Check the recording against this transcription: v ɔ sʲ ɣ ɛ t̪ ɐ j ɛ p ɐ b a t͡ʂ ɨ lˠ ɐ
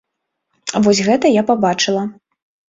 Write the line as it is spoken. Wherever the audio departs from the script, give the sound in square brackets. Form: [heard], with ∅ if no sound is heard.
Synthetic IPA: v ɔ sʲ ɣ ɛ t̪ ɐ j [a] p [a] b a t͡ʂ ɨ lˠ ɐ